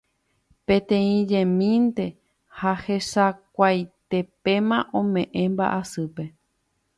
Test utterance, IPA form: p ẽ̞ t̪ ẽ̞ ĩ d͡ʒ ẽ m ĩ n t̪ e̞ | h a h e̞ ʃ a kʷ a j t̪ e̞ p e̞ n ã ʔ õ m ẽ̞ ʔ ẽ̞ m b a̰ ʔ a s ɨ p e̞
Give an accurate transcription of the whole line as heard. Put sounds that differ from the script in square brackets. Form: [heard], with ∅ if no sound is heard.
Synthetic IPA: p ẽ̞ t̪ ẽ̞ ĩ d͡ʒ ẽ m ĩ n t̪ e̞ | h a h e̞ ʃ a kʷ a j t̪ e̞ p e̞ [m] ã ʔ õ m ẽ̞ ʔ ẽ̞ m b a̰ ʔ a s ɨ p e̞